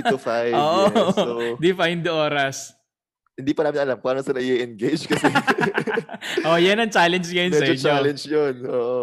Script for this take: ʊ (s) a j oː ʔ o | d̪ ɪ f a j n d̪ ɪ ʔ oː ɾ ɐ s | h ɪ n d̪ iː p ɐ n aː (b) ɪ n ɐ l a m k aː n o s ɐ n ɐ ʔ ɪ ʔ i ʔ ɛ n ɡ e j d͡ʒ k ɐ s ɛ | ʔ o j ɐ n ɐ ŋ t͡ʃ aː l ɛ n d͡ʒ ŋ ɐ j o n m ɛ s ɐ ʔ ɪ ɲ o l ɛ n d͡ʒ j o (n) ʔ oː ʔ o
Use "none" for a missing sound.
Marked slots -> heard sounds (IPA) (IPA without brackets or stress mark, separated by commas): f, m, n